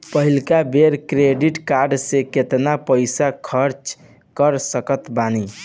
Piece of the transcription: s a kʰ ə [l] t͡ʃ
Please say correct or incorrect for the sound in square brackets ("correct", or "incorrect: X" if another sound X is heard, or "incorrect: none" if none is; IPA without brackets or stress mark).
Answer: incorrect: ɾ